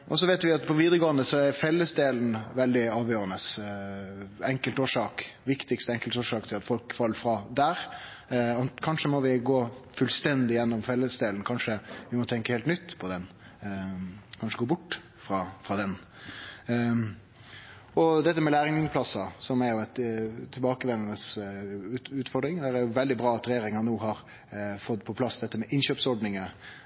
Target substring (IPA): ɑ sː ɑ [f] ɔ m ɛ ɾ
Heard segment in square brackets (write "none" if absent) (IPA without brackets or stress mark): s